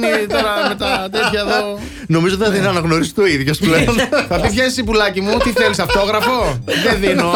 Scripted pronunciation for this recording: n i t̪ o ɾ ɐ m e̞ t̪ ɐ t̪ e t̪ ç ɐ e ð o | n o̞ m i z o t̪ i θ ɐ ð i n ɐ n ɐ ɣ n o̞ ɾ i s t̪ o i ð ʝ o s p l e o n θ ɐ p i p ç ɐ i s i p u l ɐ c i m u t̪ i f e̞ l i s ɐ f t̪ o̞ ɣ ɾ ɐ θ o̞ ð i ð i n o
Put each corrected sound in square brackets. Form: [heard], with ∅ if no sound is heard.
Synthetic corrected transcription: n i t̪ o ɾ ɐ m e̞ t̪ ɐ t̪ e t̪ ç ɐ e ð o | n o̞ m i z o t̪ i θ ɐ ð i n ɐ n ɐ ɣ n o̞ ɾ i s t̪ o i ð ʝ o s p l e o n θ ɐ p i p ç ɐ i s i p u l ɐ c i m u t̪ i [θ] e̞ l i s ɐ f t̪ o̞ ɣ ɾ ɐ [f] o̞ ð [e] ð i n o